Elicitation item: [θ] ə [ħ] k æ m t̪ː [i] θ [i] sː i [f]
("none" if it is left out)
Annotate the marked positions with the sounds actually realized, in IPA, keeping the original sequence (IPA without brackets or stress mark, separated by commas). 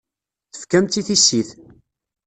θ, f, i, i, θ